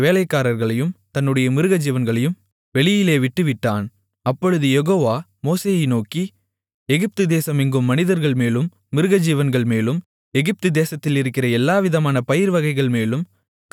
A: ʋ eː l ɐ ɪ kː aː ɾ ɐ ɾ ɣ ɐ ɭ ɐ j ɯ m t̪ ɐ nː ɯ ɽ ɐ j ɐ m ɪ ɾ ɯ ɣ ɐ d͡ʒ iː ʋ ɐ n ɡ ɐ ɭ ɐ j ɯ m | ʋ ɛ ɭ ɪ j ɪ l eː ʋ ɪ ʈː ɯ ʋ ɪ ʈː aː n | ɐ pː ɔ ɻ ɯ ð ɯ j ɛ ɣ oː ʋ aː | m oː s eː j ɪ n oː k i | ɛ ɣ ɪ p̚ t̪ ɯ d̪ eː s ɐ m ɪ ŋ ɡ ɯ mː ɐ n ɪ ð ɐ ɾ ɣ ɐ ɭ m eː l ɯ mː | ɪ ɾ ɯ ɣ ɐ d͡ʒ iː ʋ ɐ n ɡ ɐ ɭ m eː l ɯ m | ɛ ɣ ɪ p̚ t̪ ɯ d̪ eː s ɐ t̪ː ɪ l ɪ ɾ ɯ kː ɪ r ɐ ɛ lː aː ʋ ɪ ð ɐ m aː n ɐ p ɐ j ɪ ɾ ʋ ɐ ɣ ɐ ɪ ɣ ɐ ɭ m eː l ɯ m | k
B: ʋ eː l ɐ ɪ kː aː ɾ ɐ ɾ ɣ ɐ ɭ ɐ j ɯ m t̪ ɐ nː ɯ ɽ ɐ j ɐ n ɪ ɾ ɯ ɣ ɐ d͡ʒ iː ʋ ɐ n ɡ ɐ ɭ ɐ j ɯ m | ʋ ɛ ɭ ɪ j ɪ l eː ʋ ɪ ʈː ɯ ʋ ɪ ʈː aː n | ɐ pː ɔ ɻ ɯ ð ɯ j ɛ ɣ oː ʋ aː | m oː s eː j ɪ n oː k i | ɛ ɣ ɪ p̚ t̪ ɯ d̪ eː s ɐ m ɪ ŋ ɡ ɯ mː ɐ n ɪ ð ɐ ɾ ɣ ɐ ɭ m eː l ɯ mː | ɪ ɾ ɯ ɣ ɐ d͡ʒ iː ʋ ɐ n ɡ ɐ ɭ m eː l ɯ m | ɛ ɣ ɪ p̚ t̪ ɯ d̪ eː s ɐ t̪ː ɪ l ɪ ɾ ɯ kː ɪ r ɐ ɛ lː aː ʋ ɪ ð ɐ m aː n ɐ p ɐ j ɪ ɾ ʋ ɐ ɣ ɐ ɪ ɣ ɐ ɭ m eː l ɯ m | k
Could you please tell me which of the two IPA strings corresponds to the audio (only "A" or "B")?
A